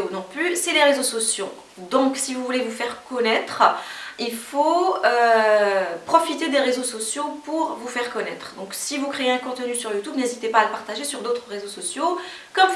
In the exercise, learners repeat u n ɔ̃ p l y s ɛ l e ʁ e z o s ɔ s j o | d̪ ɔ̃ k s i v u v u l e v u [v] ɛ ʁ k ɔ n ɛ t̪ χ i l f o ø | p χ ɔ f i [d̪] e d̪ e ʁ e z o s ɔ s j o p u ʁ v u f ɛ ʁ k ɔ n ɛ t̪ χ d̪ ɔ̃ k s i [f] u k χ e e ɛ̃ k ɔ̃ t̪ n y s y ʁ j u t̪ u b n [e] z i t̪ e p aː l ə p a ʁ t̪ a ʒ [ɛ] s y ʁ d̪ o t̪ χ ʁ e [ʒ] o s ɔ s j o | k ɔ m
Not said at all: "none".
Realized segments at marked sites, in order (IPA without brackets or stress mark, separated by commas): f, t̪, v, e, e, z